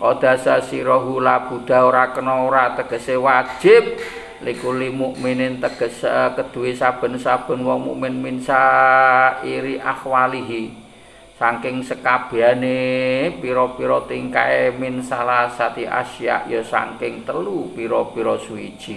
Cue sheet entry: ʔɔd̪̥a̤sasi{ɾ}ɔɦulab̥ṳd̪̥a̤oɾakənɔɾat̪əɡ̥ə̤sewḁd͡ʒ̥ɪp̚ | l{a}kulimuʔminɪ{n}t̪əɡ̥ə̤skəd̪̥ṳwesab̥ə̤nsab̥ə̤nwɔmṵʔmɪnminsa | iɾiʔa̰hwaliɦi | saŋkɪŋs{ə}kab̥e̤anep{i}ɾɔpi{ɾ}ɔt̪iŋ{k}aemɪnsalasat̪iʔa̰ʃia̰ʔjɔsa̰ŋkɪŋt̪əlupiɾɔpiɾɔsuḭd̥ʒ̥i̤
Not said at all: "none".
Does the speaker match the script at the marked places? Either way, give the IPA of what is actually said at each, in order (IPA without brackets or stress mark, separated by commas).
ɾ, i, n, ə, i, ɾ, k